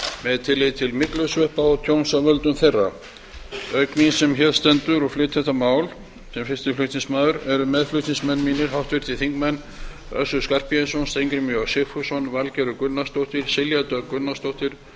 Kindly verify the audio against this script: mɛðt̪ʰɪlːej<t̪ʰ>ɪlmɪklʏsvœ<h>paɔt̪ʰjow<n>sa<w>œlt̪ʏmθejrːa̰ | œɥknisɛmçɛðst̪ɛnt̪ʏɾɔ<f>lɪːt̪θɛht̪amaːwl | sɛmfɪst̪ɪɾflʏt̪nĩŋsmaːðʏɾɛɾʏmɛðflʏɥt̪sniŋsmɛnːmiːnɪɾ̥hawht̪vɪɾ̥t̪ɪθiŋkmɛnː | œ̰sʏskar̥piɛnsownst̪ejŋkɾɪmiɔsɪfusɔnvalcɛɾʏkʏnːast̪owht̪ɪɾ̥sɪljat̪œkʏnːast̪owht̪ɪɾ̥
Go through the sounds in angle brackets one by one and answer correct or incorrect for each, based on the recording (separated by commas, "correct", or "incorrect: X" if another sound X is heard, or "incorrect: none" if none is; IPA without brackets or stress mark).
correct, correct, correct, incorrect: v, correct